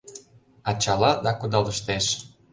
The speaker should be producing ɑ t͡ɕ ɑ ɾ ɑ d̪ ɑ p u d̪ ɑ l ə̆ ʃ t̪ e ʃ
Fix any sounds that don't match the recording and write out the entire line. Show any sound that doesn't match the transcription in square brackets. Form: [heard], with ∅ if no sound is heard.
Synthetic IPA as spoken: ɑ t͡ɕ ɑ [l] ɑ d̪ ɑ [k] u d̪ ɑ l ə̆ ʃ t̪ e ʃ